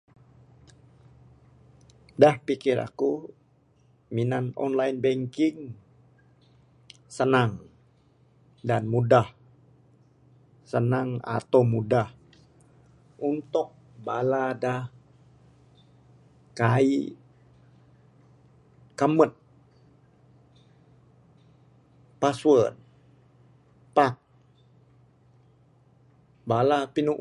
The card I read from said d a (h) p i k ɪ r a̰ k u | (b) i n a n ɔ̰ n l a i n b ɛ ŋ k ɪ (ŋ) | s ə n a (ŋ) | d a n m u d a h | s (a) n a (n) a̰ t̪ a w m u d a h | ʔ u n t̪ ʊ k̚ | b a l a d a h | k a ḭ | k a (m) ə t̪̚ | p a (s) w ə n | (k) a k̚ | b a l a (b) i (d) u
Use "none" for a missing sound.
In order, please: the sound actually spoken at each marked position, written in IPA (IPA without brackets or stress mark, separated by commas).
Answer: h, m, ŋ, ŋ, ə, ŋ, m, s, p, p, n